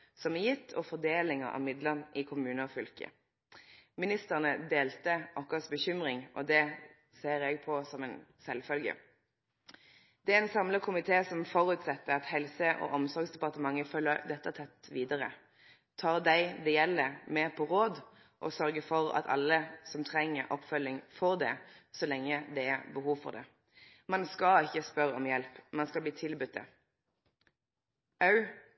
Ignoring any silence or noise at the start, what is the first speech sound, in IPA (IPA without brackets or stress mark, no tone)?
s